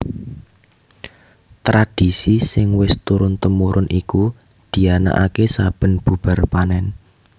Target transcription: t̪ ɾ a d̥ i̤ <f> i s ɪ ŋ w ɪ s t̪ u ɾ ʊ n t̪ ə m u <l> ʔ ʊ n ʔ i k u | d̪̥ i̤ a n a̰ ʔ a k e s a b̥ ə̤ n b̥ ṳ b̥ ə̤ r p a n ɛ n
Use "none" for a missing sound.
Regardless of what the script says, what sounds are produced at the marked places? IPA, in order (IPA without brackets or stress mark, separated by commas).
s, ɾ